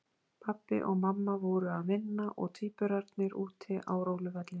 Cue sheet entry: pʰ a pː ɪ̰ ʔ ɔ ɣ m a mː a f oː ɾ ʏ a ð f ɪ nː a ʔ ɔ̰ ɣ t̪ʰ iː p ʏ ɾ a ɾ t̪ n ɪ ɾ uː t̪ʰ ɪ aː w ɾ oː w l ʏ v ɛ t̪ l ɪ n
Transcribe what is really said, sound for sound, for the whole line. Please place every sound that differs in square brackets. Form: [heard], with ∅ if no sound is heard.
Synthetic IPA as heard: pʰ a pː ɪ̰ ʔ ɔ ɣ m a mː a [v] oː ɾ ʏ a ð [v] ɪ nː a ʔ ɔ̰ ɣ t̪ʰ iː p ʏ ɾ a ɾ t̪ n ɪ ɾ uː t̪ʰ ɪ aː w ɾ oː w l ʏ v ɛ t̪ l ɪ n